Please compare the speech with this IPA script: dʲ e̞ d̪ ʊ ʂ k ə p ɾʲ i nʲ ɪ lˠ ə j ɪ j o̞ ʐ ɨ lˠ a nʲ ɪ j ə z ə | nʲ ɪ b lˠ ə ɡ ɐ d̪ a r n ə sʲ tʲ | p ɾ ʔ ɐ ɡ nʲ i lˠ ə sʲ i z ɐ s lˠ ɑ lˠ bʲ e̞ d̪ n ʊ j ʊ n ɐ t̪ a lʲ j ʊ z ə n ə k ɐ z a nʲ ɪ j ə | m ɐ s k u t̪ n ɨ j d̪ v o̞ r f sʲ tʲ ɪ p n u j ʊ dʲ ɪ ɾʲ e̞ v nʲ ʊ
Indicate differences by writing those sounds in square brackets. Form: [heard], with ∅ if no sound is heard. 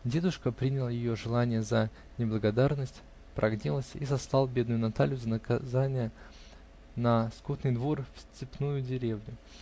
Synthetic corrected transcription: dʲ e̞ d̪ ʊ ʂ k ə p ɾʲ i nʲ ɪ lˠ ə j ɪ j o̞ ʐ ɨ lˠ a nʲ ɪ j ə z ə | nʲ ɪ b lˠ ə ɡ ɐ d̪ a r n ə sʲ tʲ | p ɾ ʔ ɐ ɡ nʲ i lˠ ə sʲ i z ɐ s lˠ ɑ lˠ bʲ e̞ d̪ n ʊ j ʊ n ɐ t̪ a lʲ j ʊ z ə n ə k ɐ z a nʲ ɪ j ə | [n] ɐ s k u t̪ n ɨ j d̪ v o̞ r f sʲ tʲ ɪ p n u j ʊ dʲ ɪ ɾʲ e̞ v nʲ ʊ